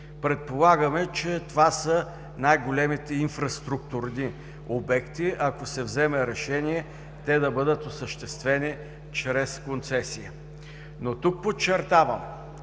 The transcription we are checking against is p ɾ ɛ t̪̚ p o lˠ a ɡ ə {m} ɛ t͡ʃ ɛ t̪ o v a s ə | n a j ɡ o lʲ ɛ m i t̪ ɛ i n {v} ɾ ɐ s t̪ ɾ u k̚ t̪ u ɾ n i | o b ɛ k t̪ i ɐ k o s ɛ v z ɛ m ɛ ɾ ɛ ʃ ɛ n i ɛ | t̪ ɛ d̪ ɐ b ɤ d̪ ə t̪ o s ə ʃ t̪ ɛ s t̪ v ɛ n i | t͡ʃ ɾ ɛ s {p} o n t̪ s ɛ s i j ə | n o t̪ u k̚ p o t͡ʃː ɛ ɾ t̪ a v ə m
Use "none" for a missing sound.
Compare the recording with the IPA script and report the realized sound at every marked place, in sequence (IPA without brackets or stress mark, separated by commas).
m, f, k